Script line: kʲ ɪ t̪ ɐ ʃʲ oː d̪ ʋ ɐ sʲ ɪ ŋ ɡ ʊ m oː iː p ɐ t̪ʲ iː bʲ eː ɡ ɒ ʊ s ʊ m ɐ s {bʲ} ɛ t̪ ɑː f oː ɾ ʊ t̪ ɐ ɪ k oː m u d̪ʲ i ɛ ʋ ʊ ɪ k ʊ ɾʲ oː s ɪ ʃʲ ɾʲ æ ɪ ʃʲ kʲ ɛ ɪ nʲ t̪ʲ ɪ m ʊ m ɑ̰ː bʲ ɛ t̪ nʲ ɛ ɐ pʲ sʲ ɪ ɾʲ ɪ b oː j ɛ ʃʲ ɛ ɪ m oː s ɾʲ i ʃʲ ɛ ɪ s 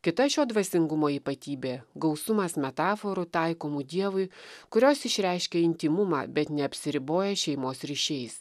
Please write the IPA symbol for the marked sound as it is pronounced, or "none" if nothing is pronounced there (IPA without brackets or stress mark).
mʲ